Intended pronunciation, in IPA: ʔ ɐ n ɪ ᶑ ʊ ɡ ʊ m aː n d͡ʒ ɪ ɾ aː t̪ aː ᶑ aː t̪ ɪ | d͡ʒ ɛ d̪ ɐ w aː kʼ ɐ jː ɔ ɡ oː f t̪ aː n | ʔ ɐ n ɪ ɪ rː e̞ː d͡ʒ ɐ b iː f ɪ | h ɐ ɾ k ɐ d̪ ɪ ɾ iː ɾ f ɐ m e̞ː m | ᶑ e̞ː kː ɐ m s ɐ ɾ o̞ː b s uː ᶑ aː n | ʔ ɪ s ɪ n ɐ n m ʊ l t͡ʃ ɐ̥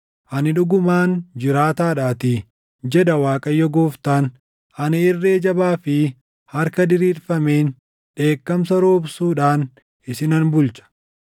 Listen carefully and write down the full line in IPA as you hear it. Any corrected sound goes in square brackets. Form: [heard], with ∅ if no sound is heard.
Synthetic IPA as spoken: ʔ ɐ n ɪ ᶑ ʊ ɡ ʊ m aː n d͡ʒ ɪ ɾ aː t̪ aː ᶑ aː t̪ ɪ | d͡ʒ ɛ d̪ ɐ w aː kʼ ɐ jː ɔ ɡ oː f t̪ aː n | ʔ ɐ n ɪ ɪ rː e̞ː d͡ʒ ɐ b [aː] f ɪ | h ɐ ɾ k ɐ d̪ ɪ ɾ iː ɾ f ɐ m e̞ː [n] | ᶑ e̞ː kː ɐ m s ɐ ɾ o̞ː b s uː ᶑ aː n | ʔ ɪ s ɪ n ɐ n [b] ʊ l t͡ʃ ɐ̥

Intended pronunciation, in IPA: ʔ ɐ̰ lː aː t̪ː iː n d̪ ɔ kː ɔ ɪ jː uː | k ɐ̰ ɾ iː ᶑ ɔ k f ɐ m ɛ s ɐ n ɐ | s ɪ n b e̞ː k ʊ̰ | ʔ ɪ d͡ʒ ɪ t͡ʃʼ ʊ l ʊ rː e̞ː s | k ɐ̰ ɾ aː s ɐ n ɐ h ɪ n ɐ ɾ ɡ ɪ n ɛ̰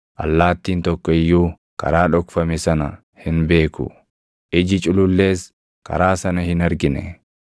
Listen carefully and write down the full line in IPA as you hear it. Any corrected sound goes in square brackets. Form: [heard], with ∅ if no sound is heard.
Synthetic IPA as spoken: ʔ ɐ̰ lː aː t̪ː iː n [t̪] ɔ kː ɔ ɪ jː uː | k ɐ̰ ɾ [aː] ᶑ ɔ k f ɐ m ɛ s ɐ n ɐ | [h] ɪ n b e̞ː k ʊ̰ | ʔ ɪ d͡ʒ ɪ t͡ʃʼ ʊ l ʊ [lː] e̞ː s | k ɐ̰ ɾ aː s ɐ n ɐ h ɪ n ɐ ɾ ɡ ɪ n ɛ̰

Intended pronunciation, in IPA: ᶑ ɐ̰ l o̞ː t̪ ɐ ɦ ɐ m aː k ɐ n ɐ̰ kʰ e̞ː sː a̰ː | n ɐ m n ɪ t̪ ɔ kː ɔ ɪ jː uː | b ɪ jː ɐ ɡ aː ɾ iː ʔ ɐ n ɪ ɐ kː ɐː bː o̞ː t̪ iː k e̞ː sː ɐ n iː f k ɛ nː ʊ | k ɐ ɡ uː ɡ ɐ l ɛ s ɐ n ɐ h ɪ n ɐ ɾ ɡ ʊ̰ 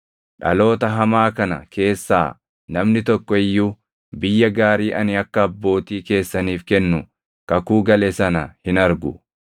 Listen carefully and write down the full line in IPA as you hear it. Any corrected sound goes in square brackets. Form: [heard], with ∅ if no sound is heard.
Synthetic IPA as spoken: ᶑ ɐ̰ l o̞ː t̪ ɐ ɦ ɐ m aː k ɐ n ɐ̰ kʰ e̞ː sː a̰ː | n ɐ m n ɪ t̪ ɔ kː ɔ ɪ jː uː | b ɪ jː ɐ ɡ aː ɾ iː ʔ ɐ n ɪ ɐ kː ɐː bː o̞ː t̪ iː k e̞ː sː ɐ n iː f k ɛ nː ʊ | k ɐ [k] uː ɡ ɐ l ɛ s ɐ n ɐ h ɪ n ɐ ɾ ɡ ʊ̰

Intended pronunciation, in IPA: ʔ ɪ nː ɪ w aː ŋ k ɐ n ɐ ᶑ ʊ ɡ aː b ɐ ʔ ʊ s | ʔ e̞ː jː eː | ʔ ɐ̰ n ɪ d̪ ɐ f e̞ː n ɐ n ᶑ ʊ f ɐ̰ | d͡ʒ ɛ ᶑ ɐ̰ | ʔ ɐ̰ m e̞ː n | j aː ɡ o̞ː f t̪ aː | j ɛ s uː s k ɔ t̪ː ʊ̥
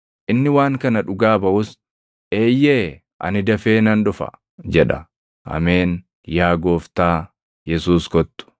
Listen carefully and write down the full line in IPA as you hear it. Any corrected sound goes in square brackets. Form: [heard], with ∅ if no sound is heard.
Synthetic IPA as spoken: ʔ ɪ nː ɪ w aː ŋ k ɐ n ɐ ᶑ ʊ ɡ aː b ɐ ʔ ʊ s | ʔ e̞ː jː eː | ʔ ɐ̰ n ɪ d̪ ɐ f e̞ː n ɐ n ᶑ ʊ f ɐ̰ | d͡ʒ ɛ ᶑ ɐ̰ | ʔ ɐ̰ m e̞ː n | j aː ɡ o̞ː f t̪ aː | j ɛ s uː s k ɔ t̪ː ʊ̥

